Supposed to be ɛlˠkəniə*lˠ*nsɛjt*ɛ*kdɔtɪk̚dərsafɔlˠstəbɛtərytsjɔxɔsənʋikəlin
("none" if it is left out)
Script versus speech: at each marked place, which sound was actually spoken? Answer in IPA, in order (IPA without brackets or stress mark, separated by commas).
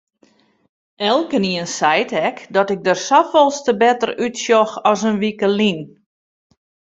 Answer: none, ɛ